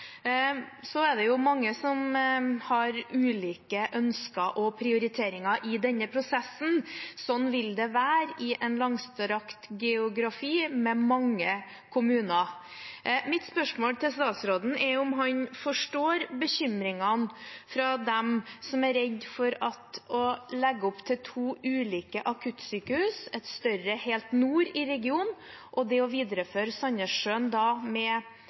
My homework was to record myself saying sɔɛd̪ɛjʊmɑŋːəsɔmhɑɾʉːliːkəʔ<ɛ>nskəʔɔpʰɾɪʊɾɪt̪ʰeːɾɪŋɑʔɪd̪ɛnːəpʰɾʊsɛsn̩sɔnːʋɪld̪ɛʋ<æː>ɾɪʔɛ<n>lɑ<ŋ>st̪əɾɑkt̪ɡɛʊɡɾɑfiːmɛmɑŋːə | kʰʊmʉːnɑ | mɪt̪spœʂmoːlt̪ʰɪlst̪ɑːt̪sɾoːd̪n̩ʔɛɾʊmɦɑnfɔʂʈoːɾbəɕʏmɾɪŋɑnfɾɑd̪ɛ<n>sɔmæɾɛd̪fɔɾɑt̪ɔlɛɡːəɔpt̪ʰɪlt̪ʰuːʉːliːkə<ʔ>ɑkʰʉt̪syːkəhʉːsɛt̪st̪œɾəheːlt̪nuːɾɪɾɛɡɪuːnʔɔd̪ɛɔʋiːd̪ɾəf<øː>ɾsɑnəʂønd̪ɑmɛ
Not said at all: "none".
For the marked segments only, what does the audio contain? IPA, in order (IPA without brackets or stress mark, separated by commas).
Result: œ, æː, n, ŋ, m, ʔ, øː